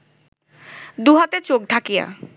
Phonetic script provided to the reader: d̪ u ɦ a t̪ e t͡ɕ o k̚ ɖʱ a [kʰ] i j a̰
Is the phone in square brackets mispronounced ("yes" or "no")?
yes